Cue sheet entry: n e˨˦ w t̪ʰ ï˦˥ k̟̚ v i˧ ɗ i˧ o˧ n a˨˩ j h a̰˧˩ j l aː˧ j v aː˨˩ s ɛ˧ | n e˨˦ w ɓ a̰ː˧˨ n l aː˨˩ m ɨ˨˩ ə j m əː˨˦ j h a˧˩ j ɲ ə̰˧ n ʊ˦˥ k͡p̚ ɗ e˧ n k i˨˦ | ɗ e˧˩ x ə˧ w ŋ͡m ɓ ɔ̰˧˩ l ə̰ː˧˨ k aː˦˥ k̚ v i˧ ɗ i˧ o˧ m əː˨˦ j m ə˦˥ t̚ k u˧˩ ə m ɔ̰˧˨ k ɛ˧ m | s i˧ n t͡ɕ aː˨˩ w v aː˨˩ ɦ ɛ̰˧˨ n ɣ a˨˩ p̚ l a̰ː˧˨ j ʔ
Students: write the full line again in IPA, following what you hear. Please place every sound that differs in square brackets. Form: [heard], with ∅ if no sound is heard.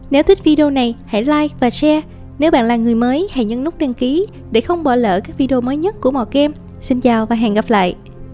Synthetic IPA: n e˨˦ w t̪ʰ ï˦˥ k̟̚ v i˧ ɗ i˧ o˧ n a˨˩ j h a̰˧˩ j l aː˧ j v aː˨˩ s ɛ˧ | n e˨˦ w ɓ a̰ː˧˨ n l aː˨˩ [ŋ] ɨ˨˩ ə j m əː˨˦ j h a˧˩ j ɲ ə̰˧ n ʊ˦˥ k͡p̚ ɗ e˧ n k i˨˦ | ɗ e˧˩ x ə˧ w ŋ͡m ɓ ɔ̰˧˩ l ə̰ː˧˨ k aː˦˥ k̚ v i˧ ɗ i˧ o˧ m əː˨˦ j [ɲ] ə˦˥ t̚ k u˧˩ ə m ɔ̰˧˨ k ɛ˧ m | s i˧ n t͡ɕ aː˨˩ w v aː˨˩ ɦ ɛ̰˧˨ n ɣ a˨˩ p̚ l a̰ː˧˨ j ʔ

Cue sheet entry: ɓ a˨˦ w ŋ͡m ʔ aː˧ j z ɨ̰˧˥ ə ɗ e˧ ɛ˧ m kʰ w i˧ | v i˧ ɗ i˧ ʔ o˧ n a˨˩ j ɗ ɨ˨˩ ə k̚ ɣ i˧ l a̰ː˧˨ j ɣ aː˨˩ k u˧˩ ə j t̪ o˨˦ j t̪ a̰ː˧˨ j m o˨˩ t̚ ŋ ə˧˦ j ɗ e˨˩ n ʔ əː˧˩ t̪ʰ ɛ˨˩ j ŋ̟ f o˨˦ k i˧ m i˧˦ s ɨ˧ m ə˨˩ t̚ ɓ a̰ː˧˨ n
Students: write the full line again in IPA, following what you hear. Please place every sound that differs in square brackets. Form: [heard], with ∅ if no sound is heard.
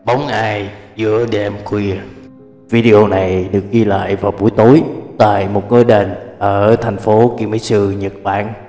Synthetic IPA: ɓ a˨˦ w ŋ͡m ʔ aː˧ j z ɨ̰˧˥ ə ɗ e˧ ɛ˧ m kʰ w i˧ | v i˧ ɗ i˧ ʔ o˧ n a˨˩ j ɗ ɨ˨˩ ə k̚ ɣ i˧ l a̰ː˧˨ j [v] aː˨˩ k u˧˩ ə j t̪ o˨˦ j t̪ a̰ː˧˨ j m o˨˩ t̚ ŋ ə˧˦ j ɗ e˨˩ n ʔ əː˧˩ t̪ʰ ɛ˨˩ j ŋ̟ f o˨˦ k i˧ m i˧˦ s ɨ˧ [ɲ] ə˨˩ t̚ ɓ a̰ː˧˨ n

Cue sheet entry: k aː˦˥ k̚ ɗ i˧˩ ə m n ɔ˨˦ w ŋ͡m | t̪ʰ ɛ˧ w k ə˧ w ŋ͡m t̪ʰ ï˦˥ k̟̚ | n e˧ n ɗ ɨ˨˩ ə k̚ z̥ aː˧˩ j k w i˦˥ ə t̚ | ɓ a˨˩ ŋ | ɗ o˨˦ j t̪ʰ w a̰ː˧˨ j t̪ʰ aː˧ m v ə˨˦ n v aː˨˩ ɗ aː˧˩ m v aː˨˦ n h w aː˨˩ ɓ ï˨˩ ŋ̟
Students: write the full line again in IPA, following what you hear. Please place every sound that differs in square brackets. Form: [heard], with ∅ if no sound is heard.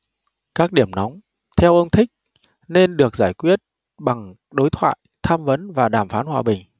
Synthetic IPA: k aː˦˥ k̚ ɗ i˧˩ ə m n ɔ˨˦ w ŋ͡m | t̪ʰ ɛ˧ w [ʔ] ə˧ w ŋ͡m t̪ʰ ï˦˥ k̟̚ | n e˧ n ɗ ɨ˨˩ ə k̚ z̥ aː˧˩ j k w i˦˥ ə t̚ | ɓ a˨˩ ŋ | ɗ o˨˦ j t̪ʰ w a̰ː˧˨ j t̪ʰ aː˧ m v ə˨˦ n v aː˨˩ ɗ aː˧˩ m [f] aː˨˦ n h w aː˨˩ ɓ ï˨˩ ŋ̟

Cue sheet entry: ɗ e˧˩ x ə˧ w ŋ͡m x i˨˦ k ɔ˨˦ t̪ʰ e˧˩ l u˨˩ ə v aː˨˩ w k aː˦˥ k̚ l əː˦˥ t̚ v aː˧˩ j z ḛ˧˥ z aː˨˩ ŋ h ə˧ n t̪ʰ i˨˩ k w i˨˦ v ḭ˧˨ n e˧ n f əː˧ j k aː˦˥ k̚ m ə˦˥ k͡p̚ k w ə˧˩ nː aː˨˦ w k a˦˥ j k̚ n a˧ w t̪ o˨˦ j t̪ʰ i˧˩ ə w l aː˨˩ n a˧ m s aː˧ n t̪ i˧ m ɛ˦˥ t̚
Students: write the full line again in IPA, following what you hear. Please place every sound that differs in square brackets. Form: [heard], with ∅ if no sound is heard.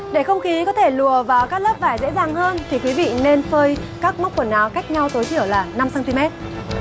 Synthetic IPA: ɗ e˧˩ x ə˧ w ŋ͡m x i˨˦ k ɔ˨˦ t̪ʰ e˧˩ l u˨˩ ə v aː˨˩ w k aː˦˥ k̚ l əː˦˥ [p̚] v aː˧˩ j z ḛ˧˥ z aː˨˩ ŋ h [əː˧] n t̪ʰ i˨˩ k w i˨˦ v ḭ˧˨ n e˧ n f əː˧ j k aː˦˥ k̚ m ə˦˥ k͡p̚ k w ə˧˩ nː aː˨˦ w k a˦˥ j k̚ [ɲ] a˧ w t̪ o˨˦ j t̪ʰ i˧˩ ə w l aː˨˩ n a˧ m s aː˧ n t̪ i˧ m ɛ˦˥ t̚

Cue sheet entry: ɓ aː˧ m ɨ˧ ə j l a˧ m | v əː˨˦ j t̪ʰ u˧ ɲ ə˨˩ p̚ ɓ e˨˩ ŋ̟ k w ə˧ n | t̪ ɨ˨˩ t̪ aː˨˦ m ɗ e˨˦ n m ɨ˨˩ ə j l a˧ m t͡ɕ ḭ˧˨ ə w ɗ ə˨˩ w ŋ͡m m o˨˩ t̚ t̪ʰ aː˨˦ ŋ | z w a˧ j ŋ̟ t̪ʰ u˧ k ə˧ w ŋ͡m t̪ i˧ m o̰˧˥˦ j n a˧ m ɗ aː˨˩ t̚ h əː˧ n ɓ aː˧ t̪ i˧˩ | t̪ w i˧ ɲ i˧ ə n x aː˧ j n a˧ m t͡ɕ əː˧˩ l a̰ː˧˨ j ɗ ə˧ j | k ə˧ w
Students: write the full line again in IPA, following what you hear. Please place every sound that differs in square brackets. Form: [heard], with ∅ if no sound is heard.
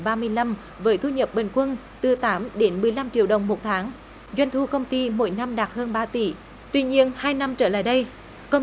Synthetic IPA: ɓ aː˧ m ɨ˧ ə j l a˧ m | v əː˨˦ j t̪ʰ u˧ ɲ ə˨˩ p̚ ɓ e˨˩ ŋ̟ k w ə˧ n | t̪ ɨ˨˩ t̪ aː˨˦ m ɗ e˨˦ n m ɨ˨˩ ə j l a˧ m t͡ɕ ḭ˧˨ ə w ɗ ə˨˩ w ŋ͡m m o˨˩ t̚ t̪ʰ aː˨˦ ŋ | z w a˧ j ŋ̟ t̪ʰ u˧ k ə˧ w ŋ͡m t̪ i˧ m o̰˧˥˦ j n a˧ m ɗ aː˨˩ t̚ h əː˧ n ɓ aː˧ t̪ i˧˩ | t̪ w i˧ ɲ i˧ ə n [h] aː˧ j n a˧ m t͡ɕ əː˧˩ l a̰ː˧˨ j ɗ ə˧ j | k ə˧ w

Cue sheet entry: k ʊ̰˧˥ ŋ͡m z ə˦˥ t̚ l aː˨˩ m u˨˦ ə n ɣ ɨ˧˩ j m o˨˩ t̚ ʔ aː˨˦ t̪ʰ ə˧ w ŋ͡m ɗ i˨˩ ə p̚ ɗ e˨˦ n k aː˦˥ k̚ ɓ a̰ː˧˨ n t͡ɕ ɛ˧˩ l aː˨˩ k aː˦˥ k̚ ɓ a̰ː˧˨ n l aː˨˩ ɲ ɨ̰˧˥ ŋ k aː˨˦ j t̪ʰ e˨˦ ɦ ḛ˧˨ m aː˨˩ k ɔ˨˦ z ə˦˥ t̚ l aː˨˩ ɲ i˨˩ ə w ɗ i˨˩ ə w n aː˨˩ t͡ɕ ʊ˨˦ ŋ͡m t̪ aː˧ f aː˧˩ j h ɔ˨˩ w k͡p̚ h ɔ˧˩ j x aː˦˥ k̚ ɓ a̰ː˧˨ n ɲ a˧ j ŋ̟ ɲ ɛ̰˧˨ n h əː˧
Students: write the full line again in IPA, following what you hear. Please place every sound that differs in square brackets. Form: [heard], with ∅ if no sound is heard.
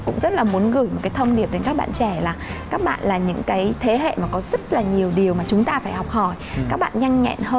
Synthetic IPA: k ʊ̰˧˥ ŋ͡m z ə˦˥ t̚ l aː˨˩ m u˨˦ ə n ɣ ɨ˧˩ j m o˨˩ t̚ [k] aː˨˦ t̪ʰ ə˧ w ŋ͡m ɗ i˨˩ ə p̚ ɗ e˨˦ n k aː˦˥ k̚ ɓ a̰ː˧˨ n t͡ɕ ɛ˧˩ l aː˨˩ k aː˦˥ k̚ ɓ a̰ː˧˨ n l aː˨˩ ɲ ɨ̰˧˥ ŋ k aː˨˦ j t̪ʰ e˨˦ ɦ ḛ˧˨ m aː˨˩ k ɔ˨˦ z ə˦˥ t̚ l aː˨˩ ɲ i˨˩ ə w ɗ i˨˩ ə w [m] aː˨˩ t͡ɕ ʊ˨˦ ŋ͡m t̪ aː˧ f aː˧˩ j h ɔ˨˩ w k͡p̚ h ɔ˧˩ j [k] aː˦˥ k̚ ɓ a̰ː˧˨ n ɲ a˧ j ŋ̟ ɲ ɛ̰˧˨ n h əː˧

